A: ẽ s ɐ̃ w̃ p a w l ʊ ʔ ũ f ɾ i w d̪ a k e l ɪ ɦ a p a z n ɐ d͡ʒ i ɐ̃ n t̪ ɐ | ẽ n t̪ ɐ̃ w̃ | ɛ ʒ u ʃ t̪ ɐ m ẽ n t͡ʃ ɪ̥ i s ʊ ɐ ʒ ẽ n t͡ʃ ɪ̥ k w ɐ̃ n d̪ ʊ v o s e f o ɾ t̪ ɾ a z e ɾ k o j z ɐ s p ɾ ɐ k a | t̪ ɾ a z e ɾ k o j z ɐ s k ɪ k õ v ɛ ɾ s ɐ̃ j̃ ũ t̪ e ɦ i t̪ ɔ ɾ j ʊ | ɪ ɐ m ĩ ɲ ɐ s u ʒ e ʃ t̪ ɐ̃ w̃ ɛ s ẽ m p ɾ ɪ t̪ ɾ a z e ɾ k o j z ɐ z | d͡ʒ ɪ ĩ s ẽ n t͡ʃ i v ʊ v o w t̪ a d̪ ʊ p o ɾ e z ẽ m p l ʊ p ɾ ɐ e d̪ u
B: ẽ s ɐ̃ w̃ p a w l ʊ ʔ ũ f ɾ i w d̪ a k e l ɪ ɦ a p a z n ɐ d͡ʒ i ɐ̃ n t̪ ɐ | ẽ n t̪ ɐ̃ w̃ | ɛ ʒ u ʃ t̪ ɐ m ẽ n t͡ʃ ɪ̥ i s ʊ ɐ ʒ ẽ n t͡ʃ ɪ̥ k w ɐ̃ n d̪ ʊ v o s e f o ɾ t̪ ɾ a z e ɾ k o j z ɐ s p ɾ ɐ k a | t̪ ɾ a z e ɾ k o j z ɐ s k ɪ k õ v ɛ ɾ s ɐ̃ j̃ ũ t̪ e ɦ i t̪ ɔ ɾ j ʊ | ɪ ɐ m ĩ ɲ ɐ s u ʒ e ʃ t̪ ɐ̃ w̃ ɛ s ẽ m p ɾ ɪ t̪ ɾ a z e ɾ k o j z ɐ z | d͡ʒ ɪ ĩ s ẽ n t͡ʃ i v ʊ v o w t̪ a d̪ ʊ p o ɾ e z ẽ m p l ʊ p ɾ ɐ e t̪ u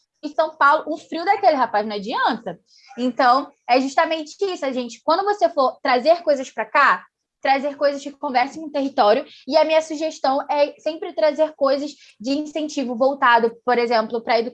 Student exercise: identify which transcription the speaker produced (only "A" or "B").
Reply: A